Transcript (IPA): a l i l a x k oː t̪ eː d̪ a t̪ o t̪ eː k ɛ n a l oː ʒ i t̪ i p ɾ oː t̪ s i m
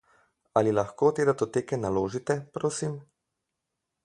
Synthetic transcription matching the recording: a l i l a x k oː t̪ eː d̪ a t̪ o t̪ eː k ɛ n a l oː ʒ i t̪ ɛ p ɾ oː s i m